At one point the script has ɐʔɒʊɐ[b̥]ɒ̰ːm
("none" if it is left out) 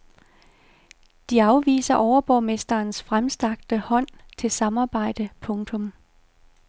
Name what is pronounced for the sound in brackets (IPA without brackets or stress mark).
b̥